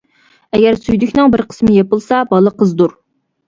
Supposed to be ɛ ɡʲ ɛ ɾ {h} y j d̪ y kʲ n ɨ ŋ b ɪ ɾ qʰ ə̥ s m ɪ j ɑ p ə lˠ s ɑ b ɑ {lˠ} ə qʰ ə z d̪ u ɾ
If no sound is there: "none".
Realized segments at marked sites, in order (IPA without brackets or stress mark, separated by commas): s, lˠ